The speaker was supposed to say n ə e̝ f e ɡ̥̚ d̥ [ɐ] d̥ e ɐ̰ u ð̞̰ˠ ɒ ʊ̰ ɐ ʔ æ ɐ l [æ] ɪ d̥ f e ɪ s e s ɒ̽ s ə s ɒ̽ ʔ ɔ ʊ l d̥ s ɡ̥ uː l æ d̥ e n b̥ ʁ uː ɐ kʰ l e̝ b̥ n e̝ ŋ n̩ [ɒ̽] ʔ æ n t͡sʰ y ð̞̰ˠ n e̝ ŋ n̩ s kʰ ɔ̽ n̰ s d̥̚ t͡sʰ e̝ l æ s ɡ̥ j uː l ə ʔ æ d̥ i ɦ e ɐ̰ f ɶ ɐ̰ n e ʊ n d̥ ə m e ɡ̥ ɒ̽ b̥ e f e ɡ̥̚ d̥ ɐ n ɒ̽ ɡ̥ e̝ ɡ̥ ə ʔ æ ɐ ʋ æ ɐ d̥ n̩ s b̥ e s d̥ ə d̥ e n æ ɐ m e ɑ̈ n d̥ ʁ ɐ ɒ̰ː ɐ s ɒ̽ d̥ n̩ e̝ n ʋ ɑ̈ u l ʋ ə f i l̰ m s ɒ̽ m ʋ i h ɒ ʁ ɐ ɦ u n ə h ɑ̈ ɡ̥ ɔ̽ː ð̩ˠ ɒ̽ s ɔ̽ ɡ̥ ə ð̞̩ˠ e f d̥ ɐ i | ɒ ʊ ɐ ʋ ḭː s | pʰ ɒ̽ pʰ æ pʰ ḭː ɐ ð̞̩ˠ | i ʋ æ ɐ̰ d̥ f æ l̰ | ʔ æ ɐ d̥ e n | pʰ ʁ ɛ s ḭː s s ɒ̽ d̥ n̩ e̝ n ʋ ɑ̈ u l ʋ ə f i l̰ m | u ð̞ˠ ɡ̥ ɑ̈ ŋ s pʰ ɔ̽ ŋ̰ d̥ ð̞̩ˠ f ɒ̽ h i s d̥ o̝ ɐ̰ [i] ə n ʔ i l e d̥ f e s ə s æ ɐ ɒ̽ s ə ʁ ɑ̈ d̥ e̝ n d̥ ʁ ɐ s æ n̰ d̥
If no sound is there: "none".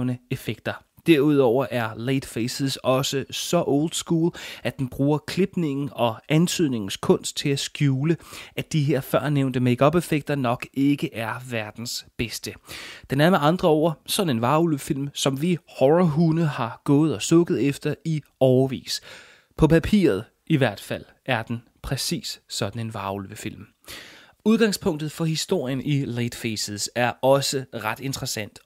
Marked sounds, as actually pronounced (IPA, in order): ɐ, e, ɒ̽, j

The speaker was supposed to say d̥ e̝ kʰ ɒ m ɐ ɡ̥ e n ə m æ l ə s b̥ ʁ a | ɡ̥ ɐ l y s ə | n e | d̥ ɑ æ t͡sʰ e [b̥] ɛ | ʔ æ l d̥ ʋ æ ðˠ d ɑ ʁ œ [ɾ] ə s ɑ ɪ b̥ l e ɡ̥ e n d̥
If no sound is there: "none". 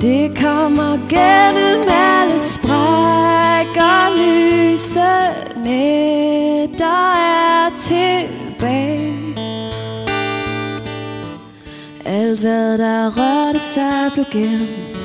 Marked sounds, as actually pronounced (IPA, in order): b̥, ɾ

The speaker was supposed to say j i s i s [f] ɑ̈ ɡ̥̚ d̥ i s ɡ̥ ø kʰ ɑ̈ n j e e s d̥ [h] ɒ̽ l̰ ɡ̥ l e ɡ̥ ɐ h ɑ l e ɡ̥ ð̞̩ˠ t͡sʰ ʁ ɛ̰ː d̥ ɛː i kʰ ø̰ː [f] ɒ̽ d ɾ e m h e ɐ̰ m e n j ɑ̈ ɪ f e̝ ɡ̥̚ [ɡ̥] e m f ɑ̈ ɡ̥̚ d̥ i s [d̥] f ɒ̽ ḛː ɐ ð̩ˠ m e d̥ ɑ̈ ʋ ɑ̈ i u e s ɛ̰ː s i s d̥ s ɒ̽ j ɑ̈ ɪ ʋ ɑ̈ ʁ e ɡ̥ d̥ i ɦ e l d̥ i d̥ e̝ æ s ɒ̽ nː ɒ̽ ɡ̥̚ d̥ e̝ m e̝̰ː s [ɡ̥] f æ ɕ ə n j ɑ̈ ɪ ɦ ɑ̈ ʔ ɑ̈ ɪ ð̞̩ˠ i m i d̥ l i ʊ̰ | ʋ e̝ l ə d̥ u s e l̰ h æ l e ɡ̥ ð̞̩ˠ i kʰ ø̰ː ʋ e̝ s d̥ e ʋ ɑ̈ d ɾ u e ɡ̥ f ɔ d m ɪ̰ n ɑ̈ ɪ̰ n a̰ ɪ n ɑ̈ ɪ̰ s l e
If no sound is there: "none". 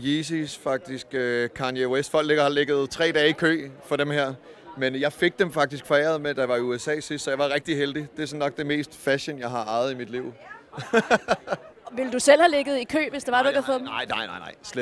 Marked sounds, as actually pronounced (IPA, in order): f, f, f, d̥, ɡ̥, d̥

